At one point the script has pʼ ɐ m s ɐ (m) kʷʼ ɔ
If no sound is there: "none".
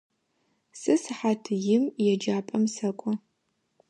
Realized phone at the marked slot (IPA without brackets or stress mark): none